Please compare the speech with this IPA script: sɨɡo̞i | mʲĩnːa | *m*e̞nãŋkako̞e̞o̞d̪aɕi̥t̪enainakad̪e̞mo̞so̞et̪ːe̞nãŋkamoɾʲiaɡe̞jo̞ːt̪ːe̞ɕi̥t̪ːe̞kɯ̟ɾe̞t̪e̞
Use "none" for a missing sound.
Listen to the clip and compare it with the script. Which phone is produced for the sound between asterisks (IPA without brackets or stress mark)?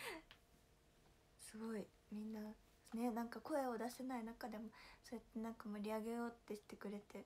n